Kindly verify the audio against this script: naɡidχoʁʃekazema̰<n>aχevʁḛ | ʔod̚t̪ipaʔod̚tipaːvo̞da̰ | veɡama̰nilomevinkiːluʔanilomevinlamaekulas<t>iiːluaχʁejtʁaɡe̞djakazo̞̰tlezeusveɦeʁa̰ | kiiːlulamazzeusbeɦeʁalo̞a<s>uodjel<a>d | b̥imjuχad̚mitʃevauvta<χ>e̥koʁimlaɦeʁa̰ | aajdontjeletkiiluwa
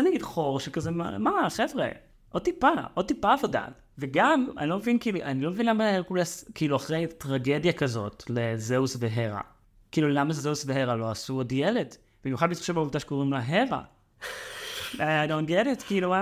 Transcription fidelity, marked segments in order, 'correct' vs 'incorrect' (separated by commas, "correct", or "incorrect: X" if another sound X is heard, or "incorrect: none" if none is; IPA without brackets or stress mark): incorrect: m, incorrect: k, correct, incorrect: e, incorrect: ʃ